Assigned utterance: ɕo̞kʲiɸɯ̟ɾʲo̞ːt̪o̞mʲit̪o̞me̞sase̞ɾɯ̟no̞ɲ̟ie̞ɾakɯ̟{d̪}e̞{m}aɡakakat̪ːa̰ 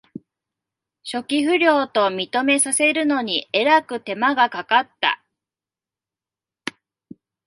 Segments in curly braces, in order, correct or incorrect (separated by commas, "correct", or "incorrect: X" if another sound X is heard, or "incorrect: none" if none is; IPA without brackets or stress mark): incorrect: t̪, correct